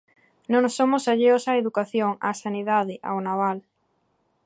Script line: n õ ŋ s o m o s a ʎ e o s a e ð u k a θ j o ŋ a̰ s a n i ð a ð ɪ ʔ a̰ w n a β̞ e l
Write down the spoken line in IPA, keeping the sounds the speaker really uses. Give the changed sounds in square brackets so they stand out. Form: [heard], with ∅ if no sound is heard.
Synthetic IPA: n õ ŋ s o m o s a ʎ e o s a e ð u k a θ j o ŋ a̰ s a n i ð a ð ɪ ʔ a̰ w n a β̞ [a] l